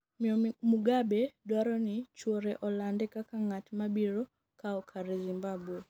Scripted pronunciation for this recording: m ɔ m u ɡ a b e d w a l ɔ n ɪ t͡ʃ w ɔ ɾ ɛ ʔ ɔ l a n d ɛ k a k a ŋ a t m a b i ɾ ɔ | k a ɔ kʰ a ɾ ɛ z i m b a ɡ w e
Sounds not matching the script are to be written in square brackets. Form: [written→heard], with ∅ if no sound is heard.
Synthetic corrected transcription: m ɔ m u ɡ a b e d w a [l→ɾ] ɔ n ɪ t͡ʃ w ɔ ɾ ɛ ʔ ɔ l a n d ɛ k a k a ŋ a t m a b i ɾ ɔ | k a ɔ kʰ a ɾ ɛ z i m b a [ɡ→b] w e